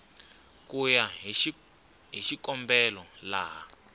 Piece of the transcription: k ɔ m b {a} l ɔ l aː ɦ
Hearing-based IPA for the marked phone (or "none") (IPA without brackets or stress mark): ɛ